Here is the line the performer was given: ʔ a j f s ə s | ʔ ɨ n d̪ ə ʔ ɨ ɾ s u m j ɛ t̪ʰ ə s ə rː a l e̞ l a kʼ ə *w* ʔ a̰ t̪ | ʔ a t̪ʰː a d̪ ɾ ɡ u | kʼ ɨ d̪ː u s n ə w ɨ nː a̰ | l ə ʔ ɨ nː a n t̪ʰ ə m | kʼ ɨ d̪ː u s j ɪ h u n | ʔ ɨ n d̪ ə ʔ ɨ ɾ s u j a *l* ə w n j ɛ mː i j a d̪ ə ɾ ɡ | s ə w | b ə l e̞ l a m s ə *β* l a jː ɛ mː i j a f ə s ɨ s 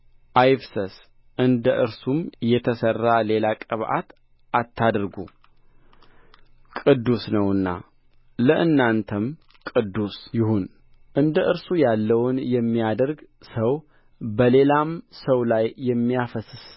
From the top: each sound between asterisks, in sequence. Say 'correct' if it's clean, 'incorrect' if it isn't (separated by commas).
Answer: incorrect, incorrect, incorrect